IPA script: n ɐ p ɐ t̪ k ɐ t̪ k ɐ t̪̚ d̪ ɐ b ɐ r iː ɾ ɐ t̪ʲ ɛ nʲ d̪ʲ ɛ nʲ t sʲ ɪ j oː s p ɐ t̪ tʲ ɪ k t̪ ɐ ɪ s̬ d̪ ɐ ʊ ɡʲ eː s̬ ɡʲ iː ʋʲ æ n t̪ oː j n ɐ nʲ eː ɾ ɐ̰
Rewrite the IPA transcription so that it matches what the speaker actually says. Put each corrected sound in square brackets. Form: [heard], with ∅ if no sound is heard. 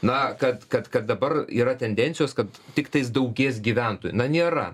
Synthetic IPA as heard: n ɐ [k] ɐ t̪ k ɐ t̪ k ɐ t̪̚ d̪ ɐ b ɐ r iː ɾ ɐ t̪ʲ ɛ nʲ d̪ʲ ɛ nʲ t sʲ ɪ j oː s [k] ɐ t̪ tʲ ɪ k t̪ ɐ ɪ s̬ d̪ ɐ ʊ ɡʲ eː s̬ ɡʲ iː ʋʲ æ n t̪ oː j n ɐ nʲ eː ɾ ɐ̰